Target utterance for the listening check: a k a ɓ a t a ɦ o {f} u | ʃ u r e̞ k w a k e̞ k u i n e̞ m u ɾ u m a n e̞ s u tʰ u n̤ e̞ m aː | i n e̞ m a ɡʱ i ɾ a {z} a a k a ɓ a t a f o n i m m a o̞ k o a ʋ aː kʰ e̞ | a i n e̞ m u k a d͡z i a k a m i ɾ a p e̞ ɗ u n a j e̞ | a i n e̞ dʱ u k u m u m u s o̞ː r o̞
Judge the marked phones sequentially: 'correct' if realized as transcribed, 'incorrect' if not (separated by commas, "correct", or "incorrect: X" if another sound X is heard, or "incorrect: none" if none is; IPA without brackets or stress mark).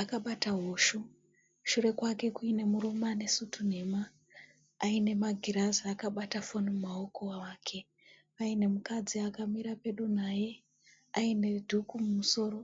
incorrect: ʃ, correct